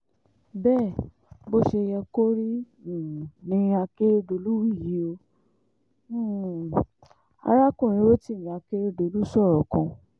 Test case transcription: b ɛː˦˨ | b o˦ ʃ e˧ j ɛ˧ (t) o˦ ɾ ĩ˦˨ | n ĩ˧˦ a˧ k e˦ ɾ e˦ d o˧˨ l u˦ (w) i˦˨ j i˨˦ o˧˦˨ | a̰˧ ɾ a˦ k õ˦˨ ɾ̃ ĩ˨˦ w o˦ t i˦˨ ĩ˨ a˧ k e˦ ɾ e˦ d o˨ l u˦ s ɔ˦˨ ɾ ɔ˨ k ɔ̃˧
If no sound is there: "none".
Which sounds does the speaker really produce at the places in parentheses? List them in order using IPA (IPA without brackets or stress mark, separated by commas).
k, w